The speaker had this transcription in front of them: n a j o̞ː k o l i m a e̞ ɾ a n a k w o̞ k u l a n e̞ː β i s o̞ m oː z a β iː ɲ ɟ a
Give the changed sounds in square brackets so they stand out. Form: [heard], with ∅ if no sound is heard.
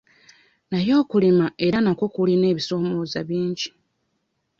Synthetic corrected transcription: n a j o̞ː k [u] l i m a e̞ ɾ a n a k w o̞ k u l [i] n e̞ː β i s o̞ m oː z a β iː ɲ ɟ [i]